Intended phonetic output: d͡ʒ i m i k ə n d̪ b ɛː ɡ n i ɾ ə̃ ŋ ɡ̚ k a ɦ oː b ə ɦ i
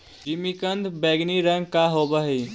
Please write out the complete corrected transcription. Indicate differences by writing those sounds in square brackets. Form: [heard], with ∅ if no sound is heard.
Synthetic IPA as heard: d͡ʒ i m i k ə n d̪ b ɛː ɡ n i ɾ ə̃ ŋ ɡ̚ k a ɦ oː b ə ɦ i

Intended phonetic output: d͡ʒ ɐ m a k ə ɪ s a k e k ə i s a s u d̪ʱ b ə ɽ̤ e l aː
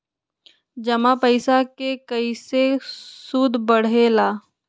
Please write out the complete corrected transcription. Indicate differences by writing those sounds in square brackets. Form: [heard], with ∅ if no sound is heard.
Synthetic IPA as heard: d͡ʒ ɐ m a [p] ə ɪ s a k e k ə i s [e] s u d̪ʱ b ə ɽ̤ e l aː

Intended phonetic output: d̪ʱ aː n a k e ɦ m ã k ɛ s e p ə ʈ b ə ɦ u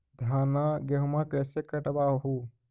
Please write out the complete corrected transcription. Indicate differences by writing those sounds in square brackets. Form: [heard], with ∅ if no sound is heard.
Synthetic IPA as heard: d̪ʱ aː n a [ɡ] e ɦ m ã k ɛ s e [k] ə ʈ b [a] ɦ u

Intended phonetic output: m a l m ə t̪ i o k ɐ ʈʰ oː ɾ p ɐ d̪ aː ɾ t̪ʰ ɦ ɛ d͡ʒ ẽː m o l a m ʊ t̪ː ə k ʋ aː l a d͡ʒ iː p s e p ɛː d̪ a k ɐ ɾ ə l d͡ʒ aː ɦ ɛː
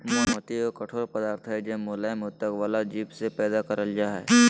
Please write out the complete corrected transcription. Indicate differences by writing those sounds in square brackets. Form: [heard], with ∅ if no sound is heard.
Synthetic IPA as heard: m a [∅] m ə t̪ i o k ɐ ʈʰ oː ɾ p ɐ d̪ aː ɾ t̪ʰ ɦ ɛ d͡ʒ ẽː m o l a m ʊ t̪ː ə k ʋ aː l a d͡ʒ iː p s e p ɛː d̪ a k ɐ ɾ ə l d͡ʒ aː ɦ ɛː

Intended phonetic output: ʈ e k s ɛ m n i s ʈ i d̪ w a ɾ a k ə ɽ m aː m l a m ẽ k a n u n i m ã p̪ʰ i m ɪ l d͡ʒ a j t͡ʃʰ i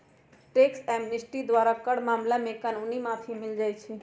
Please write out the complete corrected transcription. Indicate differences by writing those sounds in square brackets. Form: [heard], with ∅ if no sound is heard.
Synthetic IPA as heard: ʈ e k s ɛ m n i s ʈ i d̪ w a ɾ a k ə ɽ m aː m l a m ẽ k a n u n i m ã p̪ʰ i m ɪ l d͡ʒ a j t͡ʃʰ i

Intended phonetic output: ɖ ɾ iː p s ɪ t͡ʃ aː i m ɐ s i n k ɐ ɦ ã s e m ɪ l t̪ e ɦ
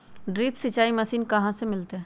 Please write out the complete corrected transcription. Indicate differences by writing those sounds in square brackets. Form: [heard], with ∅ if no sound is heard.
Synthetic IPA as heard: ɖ ɾ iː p s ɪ t͡ʃ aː i m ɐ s [iː] n k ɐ ɦ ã s e m ɪ l t̪ e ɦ

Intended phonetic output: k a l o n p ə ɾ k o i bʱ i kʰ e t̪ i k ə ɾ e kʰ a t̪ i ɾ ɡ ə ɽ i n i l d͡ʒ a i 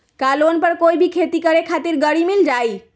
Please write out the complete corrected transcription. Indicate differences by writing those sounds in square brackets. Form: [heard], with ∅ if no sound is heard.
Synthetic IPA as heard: k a l o n p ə ɾ k o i bʱ i kʰ e t̪ i k ə ɾ e kʰ a t̪ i ɾ ɡ ə ɽ i [m] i l d͡ʒ a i

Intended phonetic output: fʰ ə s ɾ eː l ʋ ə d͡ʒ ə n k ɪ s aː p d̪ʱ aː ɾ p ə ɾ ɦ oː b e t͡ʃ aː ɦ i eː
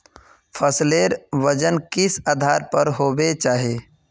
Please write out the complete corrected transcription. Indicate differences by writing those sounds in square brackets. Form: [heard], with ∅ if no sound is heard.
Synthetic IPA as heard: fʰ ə s [l] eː [ɾ] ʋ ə d͡ʒ ə n k ɪ s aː [∅] d̪ʱ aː ɾ p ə ɾ ɦ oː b e t͡ʃ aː ɦ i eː

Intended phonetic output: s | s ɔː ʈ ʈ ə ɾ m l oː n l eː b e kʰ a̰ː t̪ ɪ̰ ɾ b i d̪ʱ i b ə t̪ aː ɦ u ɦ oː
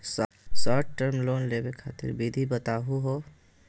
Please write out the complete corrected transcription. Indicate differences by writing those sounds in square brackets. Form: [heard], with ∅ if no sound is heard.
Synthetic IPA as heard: s | s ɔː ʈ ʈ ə ɾ m l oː n l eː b e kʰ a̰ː t̪ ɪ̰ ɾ b i d̪ʱ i b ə t̪ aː ɦ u ɦ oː

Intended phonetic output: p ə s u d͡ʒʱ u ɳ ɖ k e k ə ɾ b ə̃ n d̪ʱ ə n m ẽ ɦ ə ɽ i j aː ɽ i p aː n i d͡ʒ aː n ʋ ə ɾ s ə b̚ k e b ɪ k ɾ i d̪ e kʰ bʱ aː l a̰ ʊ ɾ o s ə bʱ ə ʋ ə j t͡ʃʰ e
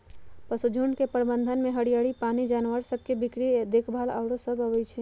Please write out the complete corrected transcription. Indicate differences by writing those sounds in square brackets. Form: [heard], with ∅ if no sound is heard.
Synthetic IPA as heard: p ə s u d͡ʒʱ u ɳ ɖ k e [p] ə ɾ b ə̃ n d̪ʱ ə n m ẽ ɦ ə ɽ i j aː ɽ i p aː n i d͡ʒ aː n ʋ ə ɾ s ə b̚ k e b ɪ k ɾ i d̪ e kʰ bʱ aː l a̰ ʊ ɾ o s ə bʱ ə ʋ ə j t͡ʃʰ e

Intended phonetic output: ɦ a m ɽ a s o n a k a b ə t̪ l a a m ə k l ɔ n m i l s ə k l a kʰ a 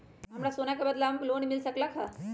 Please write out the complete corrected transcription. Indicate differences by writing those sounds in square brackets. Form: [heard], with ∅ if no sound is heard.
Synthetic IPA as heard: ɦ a m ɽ a s o n a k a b ə [d̪] l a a m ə k l [o] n m i l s ə k l a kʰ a

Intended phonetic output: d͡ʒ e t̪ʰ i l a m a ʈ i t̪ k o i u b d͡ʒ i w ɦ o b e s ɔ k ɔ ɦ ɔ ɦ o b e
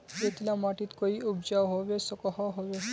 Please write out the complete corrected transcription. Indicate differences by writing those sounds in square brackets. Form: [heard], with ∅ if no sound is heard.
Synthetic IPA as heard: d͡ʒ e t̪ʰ i l a m a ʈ i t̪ k o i u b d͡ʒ [a] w ɦ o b e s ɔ k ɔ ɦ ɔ ɦ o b e

